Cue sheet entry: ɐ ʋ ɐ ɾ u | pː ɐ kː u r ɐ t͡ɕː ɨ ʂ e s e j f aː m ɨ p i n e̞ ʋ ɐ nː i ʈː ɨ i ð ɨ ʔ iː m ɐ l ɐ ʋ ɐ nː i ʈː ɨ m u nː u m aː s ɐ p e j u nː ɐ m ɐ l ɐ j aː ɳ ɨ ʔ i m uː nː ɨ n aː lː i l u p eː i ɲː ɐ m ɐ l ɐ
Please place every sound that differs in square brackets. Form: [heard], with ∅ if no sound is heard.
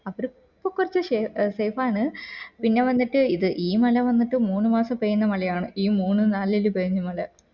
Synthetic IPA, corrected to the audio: ɐ ʋ ɐ ɾ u | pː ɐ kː u r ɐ t͡ɕː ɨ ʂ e s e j f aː [ɳ] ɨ p i [nː] e̞ ʋ ɐ nː i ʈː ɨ i ð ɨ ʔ iː m ɐ l ɐ ʋ ɐ nː i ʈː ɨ m [uː] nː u m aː s ɐ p e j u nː ɐ m ɐ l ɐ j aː ɳ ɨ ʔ [iː] m uː nː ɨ n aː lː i l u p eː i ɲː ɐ m ɐ l ɐ

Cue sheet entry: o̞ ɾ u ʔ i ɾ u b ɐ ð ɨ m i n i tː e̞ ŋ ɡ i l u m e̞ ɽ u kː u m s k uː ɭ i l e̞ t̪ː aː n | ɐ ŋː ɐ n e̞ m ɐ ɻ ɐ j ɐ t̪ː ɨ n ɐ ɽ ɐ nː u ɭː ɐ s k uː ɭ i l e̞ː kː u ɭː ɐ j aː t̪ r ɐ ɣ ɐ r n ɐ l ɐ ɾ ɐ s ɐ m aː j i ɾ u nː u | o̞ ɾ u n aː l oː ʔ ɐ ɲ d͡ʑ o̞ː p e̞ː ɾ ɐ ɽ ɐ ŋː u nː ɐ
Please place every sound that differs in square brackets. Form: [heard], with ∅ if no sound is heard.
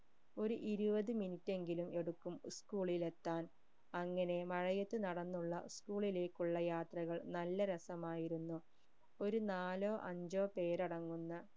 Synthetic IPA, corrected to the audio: o̞ ɾ u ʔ i ɾ u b ɐ ð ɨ m i n i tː e̞ ŋ ɡ i l u m e̞ ɽ u kː u m s k uː ɭ i l e̞ t̪ː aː n | ɐ ŋː ɐ n e̞ m ɐ ɻ ɐ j ɐ t̪ː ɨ n ɐ ɽ ɐ nː u ɭː ɐ s k uː ɭ i l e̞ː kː u ɭː ɐ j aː t̪ r ɐ ɣ ɐ [ɭ] n ɐ [lː] ɐ ɾ ɐ s ɐ m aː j i ɾ u nː u | o̞ ɾ u n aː l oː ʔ ɐ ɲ d͡ʑ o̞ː p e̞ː ɾ ɐ ɽ ɐ ŋː u nː ɐ

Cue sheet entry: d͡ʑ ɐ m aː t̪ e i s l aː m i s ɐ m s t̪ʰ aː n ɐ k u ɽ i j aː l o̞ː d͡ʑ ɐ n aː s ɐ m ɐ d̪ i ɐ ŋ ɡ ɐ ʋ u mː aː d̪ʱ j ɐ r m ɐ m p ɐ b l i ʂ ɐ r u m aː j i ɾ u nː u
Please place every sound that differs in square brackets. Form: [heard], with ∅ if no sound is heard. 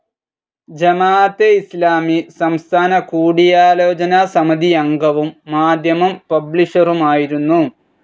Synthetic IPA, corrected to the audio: d͡ʑ ɐ m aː t̪ e i s l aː m i s ɐ m s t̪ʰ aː n ɐ k [uː] ɽ i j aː l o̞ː d͡ʑ ɐ n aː s ɐ m ɐ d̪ i ɐ ŋ ɡ ɐ ʋ u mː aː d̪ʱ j ɐ [∅] m ɐ m p ɐ b l i ʂ ɐ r u m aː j i ɾ u nː u

